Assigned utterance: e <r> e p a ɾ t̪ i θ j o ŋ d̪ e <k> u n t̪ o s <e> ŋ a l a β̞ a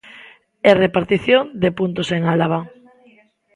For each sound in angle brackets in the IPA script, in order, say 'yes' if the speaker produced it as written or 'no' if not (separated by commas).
yes, no, yes